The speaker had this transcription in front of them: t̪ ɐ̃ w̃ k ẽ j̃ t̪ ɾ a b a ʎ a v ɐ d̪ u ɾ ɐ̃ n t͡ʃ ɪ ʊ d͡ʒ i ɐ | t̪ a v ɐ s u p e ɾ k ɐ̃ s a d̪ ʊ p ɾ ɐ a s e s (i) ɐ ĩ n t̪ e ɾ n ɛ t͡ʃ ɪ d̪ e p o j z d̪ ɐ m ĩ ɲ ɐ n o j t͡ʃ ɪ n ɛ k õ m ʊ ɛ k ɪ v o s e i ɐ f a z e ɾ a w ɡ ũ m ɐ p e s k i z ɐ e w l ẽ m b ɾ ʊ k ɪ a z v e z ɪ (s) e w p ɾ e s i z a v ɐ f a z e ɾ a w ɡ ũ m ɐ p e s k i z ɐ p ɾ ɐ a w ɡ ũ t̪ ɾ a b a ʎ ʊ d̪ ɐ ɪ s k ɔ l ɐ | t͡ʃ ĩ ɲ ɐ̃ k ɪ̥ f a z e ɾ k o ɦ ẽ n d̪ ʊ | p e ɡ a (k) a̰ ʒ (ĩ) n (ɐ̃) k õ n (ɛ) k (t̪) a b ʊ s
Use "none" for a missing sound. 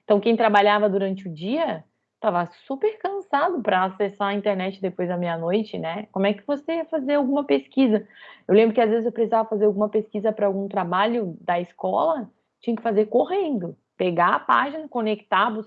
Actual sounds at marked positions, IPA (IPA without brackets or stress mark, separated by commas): a, z, p, i, ɐ, e, t̪